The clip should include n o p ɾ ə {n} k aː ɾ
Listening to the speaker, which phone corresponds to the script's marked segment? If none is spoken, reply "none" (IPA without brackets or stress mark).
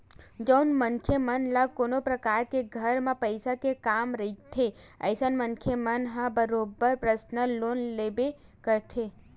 none